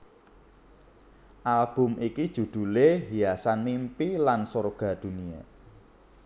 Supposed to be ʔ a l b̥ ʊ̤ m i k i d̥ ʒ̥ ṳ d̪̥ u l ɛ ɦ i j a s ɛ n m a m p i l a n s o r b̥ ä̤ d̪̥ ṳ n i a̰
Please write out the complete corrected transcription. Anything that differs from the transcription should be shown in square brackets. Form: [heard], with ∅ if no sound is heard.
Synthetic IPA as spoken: ʔ a l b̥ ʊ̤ m i k i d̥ ʒ̥ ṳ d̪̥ u l [e] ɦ i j a s [a] n m [i] m p i l a n s o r [ɡ̥] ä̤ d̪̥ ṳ n i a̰